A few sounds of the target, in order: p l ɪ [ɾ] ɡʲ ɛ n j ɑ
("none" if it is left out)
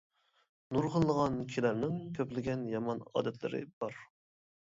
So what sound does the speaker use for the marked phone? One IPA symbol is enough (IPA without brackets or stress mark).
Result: none